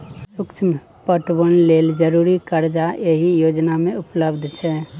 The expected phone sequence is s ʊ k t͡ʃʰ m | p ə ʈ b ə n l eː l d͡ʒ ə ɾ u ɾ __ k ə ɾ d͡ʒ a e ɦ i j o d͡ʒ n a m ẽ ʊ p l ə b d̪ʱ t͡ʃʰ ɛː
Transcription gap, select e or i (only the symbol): i